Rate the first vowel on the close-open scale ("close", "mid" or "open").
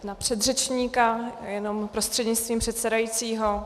open